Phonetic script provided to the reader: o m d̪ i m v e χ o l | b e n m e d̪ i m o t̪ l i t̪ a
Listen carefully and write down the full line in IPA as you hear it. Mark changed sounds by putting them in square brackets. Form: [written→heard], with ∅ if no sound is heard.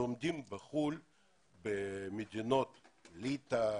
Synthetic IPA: o m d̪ i m [v→b] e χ [o→u] l | b e [n→∅] m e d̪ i [m→n] o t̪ l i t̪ a